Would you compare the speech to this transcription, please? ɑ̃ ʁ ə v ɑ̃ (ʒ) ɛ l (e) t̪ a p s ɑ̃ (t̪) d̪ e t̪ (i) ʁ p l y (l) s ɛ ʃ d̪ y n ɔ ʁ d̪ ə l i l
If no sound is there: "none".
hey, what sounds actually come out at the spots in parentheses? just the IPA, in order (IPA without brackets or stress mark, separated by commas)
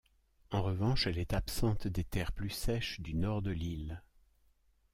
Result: ʃ, ɛ, t̪, ɛ, none